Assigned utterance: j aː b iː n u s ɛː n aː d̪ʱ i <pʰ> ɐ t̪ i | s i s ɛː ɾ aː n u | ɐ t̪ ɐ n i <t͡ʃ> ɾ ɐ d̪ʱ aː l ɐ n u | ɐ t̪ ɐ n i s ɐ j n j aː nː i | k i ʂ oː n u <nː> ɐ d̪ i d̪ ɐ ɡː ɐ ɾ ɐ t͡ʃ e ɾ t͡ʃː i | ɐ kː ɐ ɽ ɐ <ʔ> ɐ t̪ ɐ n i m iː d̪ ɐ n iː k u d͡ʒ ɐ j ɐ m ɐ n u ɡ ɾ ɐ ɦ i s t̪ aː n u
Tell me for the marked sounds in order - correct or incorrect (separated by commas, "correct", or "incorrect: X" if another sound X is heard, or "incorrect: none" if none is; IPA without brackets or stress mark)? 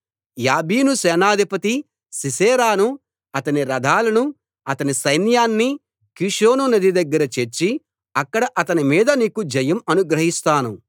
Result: incorrect: p, incorrect: none, incorrect: n, correct